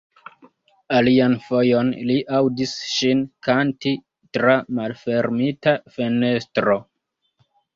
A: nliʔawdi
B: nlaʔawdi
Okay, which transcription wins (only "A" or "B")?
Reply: A